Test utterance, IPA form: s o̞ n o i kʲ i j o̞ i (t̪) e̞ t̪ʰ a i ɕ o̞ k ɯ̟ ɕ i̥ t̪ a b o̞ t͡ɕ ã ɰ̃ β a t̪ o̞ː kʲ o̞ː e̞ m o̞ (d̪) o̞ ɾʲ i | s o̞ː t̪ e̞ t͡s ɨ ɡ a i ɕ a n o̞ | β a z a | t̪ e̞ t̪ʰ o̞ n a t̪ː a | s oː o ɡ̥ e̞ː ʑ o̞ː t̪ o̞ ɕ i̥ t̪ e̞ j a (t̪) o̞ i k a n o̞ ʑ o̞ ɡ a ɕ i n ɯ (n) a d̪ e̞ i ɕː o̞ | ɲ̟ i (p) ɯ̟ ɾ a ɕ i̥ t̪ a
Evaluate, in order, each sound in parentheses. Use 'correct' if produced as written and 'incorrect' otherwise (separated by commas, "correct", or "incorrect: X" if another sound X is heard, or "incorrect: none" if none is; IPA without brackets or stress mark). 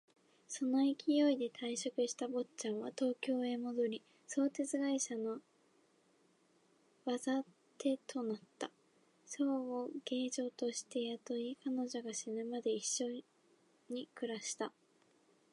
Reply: incorrect: d̪, correct, correct, incorrect: m, incorrect: k